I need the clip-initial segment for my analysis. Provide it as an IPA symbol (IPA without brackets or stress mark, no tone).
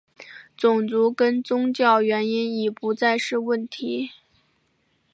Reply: t͡s